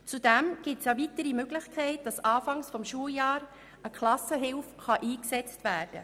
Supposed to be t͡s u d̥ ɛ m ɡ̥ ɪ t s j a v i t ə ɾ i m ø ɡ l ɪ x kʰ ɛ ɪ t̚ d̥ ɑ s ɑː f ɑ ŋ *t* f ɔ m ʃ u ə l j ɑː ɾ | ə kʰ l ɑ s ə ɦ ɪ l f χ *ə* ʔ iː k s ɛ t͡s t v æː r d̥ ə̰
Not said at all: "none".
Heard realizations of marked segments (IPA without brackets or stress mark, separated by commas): s, ɑ